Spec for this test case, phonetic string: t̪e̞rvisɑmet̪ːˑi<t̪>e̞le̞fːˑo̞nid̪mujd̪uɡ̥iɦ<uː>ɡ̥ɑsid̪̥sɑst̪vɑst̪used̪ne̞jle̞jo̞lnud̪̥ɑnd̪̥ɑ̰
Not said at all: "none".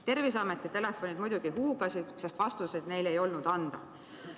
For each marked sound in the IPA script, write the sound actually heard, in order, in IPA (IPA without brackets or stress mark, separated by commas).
t̪, uː